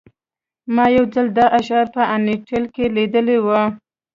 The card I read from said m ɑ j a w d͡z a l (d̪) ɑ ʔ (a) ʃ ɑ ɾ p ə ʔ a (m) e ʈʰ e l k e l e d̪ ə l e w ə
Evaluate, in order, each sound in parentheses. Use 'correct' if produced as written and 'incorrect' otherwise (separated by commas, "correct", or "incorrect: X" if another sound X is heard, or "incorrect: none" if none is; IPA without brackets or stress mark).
correct, correct, incorrect: n